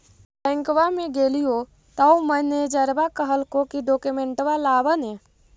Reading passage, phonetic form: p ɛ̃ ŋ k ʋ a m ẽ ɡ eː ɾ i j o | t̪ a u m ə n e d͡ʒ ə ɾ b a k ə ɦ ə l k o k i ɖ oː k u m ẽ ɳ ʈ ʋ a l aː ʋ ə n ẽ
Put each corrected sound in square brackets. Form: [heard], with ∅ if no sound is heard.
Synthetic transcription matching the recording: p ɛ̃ ŋ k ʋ a m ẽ ɡ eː [l] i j o | t̪ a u m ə n e d͡ʒ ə ɾ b a k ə ɦ ə l k o k i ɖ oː k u m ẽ ɳ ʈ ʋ a l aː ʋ ə n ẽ